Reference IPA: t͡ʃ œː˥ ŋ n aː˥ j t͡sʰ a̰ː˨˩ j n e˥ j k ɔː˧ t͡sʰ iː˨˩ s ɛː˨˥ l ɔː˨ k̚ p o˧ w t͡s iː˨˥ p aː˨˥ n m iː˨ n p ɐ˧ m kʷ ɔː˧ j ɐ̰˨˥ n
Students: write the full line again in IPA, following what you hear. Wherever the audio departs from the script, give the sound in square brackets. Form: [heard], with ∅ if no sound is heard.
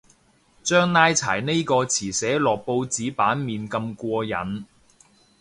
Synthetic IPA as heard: t͡ʃ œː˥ ŋ n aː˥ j t͡sʰ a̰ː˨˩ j n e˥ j k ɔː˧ t͡sʰ iː˨˩ s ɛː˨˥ l ɔː˨ k̚ p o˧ w t͡s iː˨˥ p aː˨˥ n m iː˨ n [k] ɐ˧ m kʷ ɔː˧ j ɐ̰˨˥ n